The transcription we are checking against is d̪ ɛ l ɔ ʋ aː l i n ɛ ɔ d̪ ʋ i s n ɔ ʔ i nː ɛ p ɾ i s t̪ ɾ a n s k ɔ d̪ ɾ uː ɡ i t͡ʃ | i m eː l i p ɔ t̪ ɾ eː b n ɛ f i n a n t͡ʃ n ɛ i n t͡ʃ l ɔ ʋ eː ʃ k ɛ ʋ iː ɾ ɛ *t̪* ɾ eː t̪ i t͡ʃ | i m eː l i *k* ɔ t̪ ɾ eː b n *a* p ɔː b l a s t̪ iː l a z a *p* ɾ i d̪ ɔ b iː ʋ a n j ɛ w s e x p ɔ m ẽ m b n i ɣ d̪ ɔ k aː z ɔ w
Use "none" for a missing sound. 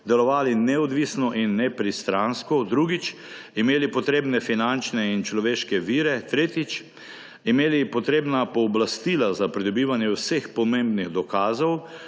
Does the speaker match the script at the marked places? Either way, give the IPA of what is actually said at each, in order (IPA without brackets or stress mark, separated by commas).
t̪, p, a, p